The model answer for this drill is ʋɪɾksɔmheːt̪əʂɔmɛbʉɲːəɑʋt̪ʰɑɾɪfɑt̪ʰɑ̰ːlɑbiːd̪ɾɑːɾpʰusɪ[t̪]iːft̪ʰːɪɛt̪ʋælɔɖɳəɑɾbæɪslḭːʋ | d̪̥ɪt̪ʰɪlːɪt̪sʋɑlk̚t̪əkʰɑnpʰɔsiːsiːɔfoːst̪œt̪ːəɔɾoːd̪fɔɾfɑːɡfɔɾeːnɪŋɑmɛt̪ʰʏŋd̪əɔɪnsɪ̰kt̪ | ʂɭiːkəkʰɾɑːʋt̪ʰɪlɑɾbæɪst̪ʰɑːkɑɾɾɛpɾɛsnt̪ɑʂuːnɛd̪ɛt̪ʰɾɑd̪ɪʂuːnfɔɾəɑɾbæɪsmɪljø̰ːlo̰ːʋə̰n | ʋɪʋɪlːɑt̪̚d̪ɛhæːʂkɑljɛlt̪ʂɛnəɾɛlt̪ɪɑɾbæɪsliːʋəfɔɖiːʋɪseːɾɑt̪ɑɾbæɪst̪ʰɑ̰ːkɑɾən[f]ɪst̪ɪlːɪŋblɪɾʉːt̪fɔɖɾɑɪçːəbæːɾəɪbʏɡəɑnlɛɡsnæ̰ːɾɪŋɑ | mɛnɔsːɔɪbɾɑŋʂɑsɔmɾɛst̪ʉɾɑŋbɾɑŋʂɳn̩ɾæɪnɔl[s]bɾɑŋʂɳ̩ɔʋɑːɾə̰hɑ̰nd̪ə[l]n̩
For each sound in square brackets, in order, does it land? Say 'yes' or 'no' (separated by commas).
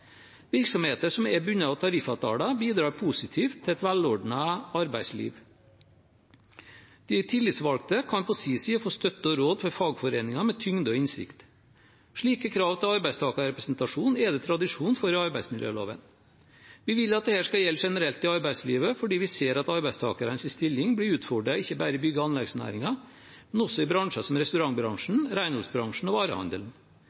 no, no, yes, yes